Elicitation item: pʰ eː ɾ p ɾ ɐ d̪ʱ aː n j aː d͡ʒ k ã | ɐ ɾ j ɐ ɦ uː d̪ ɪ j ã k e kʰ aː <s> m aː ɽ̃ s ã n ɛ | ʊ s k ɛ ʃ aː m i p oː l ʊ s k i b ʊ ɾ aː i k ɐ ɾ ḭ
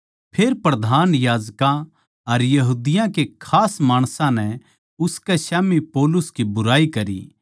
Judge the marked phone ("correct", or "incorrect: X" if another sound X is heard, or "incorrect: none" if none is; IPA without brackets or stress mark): correct